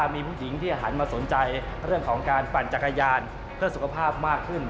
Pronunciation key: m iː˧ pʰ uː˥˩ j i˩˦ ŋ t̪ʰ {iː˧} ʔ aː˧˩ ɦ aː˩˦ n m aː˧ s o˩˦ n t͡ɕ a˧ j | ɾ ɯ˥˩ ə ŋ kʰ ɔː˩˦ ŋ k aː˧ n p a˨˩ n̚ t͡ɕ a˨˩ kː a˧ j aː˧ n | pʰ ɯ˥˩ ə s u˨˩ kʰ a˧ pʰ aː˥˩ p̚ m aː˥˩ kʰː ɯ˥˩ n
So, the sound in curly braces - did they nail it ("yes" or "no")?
no